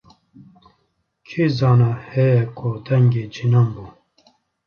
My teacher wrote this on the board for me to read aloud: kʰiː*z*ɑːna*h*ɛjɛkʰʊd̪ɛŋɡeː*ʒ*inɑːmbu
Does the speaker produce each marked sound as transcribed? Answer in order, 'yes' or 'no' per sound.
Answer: yes, yes, no

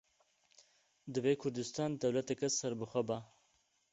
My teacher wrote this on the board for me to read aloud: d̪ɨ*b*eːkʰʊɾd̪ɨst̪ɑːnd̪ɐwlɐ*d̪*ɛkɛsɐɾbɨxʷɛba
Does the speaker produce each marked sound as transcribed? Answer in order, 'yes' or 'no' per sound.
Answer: no, no

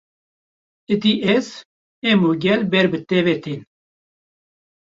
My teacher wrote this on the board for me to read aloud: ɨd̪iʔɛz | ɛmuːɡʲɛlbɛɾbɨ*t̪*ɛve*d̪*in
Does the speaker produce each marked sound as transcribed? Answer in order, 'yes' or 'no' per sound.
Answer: yes, no

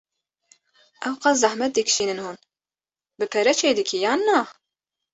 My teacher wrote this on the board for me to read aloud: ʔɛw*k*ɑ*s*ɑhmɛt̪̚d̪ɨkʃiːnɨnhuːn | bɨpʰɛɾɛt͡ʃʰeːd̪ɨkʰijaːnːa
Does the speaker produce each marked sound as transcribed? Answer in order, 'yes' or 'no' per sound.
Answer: no, no

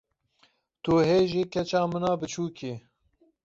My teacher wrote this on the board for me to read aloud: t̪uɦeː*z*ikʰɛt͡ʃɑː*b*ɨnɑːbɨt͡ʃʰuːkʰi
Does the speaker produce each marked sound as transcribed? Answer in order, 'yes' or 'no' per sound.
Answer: no, no

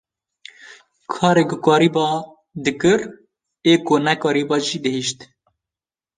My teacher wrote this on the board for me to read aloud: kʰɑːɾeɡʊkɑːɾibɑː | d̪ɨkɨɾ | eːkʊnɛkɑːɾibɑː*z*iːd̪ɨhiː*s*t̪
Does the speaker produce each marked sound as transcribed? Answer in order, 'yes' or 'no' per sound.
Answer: no, no

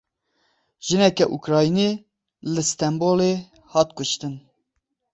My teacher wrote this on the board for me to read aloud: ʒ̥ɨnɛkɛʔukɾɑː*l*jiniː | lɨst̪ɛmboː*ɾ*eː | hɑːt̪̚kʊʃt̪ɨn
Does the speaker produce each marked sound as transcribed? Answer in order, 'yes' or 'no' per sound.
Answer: no, no

